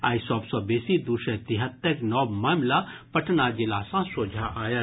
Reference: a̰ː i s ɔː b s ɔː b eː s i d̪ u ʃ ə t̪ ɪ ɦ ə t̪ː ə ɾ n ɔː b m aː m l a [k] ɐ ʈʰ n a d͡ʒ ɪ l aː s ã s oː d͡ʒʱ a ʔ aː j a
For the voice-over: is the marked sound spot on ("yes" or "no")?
no